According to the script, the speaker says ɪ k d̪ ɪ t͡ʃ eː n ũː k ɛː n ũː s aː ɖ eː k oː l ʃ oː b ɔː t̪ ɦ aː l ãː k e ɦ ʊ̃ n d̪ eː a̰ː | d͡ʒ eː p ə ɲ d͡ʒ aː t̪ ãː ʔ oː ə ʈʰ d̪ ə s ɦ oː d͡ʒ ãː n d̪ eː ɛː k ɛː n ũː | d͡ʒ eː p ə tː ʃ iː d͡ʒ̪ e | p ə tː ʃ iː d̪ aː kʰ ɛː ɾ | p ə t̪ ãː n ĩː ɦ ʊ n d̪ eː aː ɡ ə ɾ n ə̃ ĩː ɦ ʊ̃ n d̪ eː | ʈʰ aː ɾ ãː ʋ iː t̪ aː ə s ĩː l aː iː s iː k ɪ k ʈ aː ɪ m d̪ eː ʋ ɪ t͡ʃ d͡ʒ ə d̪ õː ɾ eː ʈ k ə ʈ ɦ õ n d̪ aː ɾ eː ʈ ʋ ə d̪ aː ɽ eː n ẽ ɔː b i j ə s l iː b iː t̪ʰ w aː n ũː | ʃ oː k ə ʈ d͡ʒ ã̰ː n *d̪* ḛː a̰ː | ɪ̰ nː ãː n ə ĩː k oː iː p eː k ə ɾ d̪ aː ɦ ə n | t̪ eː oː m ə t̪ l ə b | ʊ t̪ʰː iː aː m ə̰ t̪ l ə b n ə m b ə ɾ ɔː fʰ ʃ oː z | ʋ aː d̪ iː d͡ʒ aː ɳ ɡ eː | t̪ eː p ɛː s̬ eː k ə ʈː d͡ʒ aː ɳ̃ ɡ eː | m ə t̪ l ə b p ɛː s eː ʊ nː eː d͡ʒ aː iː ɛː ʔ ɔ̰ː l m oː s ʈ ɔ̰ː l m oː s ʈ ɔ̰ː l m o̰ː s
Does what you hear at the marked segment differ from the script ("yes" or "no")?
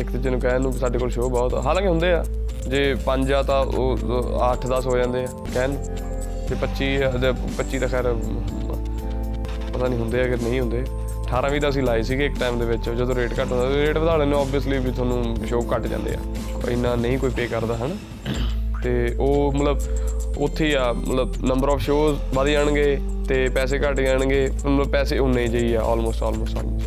no